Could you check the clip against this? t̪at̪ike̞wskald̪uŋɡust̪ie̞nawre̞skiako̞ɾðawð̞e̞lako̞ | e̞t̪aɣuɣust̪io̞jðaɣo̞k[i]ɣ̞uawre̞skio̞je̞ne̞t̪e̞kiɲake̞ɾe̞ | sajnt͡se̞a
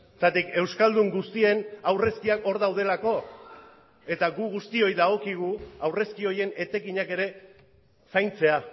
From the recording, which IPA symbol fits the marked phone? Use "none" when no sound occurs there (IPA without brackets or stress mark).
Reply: i